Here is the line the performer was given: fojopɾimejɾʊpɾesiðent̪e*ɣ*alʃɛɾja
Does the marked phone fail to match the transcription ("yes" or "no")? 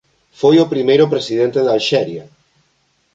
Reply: yes